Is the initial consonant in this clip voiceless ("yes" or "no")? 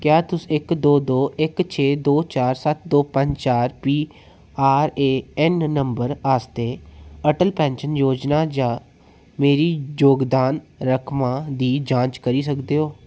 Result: yes